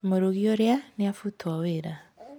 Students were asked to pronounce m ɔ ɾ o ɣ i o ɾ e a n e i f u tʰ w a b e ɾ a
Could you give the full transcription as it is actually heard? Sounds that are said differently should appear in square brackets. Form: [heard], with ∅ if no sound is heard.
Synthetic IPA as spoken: m [o] ɾ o ɣ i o ɾ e a n e [a] f u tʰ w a [w] e ɾ a